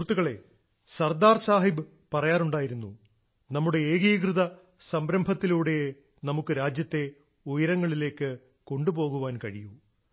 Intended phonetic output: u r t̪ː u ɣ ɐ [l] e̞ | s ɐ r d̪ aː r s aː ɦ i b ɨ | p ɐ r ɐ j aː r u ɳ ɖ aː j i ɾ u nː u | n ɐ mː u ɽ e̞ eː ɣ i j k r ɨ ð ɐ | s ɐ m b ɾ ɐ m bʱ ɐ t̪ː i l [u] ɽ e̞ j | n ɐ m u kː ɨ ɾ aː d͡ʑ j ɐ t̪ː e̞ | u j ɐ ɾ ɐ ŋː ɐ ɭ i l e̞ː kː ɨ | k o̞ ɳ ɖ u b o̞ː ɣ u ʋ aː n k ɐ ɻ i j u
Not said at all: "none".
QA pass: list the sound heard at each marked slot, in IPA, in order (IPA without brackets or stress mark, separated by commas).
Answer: ɭ, uː